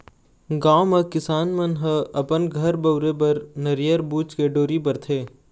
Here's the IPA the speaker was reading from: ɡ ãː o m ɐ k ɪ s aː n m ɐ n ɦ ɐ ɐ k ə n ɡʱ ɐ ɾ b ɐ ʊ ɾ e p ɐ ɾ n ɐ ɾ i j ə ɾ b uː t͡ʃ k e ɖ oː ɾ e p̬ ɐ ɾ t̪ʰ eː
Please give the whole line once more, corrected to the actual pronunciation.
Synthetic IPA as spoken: ɡ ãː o m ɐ k ɪ s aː n m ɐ n ɦ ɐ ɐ p ə n ɡʱ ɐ ɾ b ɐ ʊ ɾ e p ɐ ɾ n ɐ ɾ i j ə ɾ b uː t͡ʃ k e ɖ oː ɾ i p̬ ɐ ɾ t̪ʰ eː